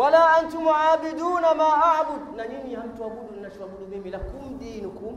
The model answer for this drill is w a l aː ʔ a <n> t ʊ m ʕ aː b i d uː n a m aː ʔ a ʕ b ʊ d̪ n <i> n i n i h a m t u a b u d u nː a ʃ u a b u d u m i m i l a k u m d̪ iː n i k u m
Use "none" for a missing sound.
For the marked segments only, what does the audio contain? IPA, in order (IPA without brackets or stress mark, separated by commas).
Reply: n, a